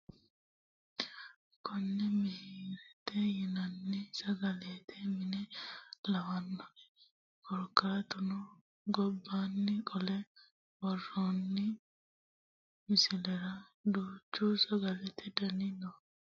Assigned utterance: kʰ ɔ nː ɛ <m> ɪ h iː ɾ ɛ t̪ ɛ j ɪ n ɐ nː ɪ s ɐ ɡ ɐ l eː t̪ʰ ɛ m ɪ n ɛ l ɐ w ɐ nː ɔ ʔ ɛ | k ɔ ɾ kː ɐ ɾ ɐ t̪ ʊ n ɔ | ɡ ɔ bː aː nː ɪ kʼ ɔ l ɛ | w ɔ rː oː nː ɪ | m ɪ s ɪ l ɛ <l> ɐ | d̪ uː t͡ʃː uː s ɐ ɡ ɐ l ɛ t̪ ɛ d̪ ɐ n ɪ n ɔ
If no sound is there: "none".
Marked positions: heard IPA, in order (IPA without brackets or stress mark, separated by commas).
m, ɾ